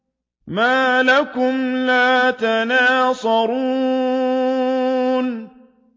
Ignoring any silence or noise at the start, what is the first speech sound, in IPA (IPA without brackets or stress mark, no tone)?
m